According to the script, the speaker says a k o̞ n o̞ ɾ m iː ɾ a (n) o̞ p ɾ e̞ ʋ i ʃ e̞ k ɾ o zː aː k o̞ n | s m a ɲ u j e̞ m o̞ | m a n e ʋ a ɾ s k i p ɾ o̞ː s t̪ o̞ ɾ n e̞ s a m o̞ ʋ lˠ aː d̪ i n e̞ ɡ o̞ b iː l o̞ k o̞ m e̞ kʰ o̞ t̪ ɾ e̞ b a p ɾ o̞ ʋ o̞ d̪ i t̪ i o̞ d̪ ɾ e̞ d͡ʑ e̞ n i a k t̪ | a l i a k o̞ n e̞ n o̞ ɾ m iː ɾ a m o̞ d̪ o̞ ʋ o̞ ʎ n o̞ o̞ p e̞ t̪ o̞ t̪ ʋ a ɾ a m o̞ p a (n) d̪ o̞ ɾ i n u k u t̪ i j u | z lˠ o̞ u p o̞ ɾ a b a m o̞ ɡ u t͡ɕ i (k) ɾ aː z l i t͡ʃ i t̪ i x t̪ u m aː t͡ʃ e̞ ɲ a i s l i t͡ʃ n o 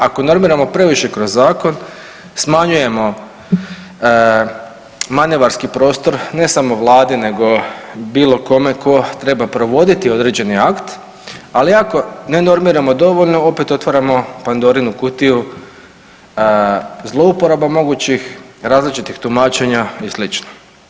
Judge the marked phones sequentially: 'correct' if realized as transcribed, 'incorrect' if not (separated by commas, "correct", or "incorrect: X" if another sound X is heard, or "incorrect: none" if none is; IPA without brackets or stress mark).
incorrect: m, correct, incorrect: x